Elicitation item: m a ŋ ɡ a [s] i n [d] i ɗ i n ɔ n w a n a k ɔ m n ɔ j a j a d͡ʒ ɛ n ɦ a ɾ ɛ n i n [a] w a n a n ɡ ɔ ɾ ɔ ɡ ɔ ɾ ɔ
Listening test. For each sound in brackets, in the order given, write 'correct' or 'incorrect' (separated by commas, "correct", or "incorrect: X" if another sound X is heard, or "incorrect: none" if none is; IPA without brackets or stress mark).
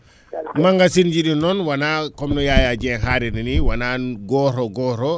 correct, incorrect: d͡ʒ, incorrect: i